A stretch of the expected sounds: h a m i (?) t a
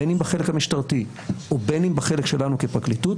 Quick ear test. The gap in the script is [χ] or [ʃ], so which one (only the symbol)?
ʃ